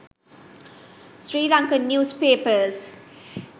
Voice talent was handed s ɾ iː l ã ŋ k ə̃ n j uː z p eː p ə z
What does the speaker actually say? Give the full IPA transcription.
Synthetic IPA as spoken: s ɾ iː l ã ŋ k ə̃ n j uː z p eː p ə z